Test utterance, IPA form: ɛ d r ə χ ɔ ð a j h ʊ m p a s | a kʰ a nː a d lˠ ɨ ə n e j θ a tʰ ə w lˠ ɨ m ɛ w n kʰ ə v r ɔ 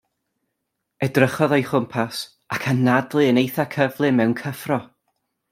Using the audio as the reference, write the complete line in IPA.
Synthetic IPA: ɛ d r ə χ ɔ ð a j χ ʊ m pʰ a s | a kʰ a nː a d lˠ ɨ ə n e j θ a kʰ ə v lˠ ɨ m ɛ w n kʰ ə f r ɔ